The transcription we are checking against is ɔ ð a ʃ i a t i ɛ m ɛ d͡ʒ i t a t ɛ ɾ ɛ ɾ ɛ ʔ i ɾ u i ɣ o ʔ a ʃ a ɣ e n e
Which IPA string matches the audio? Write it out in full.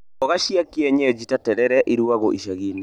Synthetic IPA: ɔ ɣ a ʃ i a k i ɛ ɲ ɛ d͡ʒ i t a t ɛ ɾ ɛ ɾ ɛ ʔ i ɾ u a ɣ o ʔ i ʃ a ɣ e n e